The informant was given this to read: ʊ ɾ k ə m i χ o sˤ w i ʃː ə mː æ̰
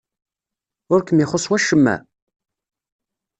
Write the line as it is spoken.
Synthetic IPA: ʊ ɾ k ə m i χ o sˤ w æ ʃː ə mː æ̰